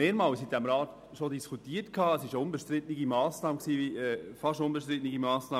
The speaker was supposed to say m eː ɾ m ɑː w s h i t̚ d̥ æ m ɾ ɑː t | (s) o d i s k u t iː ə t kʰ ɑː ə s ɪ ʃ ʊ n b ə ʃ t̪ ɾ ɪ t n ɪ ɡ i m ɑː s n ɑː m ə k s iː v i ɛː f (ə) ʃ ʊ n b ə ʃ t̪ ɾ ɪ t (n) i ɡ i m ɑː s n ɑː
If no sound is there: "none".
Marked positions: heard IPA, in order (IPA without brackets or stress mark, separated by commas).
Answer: ʃ, ɑ, n